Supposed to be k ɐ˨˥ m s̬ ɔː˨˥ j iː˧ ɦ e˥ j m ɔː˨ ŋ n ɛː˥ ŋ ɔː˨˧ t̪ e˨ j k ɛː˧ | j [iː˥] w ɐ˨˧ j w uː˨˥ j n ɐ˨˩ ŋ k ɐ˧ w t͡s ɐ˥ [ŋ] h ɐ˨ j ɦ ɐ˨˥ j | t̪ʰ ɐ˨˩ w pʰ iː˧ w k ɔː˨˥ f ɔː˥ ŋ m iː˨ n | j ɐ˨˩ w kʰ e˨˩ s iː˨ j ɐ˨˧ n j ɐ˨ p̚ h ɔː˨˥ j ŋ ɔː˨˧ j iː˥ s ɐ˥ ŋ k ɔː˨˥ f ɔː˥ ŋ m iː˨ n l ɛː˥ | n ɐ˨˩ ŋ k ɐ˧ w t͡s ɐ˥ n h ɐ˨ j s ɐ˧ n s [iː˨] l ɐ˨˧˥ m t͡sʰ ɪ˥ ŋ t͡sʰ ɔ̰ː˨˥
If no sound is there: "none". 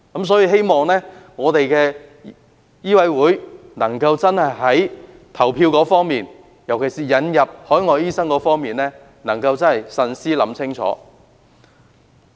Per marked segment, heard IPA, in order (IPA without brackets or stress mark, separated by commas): iː˥, n, iː˥